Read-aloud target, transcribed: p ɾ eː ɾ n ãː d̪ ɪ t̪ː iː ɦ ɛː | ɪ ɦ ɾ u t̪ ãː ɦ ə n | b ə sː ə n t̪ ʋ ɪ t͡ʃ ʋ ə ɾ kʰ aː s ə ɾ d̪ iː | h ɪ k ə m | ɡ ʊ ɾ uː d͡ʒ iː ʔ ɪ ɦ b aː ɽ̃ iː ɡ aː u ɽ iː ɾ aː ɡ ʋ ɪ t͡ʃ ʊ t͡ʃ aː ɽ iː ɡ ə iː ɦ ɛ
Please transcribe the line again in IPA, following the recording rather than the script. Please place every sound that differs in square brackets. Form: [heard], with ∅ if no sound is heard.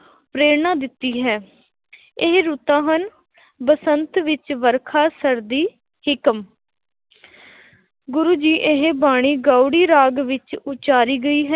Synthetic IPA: p ɾ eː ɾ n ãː d̪ ɪ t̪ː iː ɦ ɛː | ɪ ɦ ɾ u t̪ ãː ɦ ə n | b ə [s] ə n t̪ ʋ ɪ t͡ʃ ʋ ə ɾ kʰ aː s ə ɾ d̪ iː | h ɪ k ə m | ɡ ʊ ɾ uː d͡ʒ iː ʔ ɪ ɦ b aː ɽ̃ iː ɡ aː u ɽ iː ɾ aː ɡ ʋ ɪ t͡ʃ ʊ t͡ʃ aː [ɾ] iː ɡ ə iː ɦ ɛ